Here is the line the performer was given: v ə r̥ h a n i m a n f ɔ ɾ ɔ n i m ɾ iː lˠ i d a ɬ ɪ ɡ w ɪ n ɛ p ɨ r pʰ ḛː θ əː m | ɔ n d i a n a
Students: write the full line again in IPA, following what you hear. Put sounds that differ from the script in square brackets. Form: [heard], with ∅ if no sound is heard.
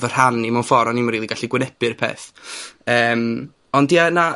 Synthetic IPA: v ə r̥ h a n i m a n f ɔ ɾ ɔ n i m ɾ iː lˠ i [ɡ] a ɬ [i] ɡ w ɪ n ɛ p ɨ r pʰ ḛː θ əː m | ɔ n d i a n a